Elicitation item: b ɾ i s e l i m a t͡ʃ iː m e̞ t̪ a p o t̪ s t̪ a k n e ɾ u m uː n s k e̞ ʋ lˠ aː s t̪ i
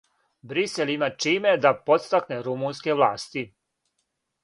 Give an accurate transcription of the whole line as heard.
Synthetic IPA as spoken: b ɾ i s e l i m a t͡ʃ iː m e̞ d̪ a p o t̪ s t̪ a k n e ɾ u m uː n s k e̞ ʋ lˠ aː s t̪ i